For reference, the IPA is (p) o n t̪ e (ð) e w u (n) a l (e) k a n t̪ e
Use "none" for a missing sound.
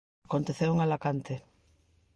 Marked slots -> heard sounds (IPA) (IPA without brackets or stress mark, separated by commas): k, θ, ŋ, a